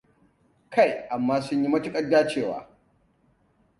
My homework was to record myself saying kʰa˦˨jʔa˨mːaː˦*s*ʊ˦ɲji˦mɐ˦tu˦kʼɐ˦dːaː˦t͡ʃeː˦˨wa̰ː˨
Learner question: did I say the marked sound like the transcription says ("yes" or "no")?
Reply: yes